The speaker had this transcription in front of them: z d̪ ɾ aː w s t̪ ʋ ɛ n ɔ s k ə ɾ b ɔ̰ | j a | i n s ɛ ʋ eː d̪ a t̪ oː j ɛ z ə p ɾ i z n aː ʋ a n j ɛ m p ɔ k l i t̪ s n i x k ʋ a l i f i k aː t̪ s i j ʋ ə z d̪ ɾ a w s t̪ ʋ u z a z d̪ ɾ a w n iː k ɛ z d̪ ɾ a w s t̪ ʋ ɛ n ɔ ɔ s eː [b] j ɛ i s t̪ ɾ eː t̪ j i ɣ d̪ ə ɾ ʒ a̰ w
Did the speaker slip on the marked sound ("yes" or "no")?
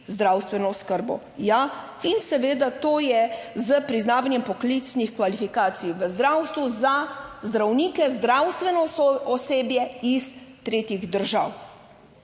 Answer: no